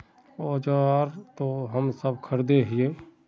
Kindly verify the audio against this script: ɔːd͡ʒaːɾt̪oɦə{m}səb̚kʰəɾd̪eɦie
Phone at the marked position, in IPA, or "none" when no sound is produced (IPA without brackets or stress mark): m